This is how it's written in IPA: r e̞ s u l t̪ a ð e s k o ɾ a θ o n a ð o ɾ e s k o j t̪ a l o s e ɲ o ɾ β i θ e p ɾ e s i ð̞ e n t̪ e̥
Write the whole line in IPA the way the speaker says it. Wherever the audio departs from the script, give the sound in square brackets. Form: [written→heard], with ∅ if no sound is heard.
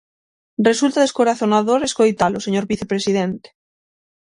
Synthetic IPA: r e̞ s u l t̪ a ð e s k o ɾ a θ o n a ð o ɾ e s k o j t̪ a l o s e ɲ o ɾ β i θ e p ɾ e s i ð̞ e n t̪ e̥